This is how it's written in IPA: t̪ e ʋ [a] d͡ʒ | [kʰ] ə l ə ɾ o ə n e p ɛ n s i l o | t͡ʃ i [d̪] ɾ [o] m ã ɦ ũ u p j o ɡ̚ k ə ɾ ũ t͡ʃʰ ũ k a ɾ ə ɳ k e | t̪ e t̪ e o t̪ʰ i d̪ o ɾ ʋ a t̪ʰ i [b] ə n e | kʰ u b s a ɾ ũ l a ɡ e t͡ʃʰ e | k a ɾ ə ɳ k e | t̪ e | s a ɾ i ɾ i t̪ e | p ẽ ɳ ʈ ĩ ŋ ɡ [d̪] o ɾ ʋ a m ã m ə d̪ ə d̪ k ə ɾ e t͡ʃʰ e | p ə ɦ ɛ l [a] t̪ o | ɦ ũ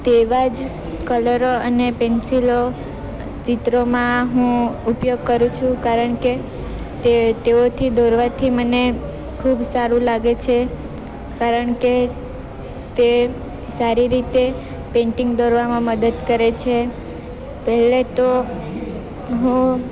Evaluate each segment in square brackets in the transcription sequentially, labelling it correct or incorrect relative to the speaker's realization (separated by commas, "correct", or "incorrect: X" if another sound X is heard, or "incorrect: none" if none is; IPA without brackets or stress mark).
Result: correct, incorrect: k, incorrect: t̪, correct, incorrect: m, correct, incorrect: e